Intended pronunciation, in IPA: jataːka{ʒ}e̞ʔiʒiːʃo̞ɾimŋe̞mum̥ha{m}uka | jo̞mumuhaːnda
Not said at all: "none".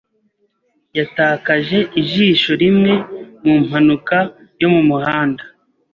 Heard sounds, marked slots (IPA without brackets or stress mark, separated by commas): ʒ, n